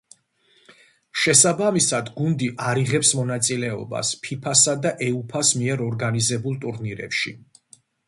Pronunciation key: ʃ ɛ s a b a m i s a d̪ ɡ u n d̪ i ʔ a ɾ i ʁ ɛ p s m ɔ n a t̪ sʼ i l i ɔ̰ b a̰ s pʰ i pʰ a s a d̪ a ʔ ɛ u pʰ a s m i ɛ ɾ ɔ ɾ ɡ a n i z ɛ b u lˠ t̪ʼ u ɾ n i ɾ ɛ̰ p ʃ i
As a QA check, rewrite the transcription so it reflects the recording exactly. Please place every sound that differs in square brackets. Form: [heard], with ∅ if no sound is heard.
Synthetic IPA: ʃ ɛ s a b a m i s a d̪ ɡ u n d̪ i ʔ a ɾ i ʁ ɛ p s m ɔ n a t̪ sʼ i l [ɛ] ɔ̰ b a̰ s pʰ i pʰ a s a d̪ a ʔ ɛ u pʰ a s m i ɛ ɾ ɔ ɾ ɡ a n i z ɛ b u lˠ t̪ʼ u ɾ n i ɾ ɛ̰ p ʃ i